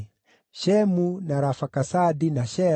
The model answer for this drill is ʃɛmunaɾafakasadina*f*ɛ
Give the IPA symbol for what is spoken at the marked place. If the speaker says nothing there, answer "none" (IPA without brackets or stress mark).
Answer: ʃ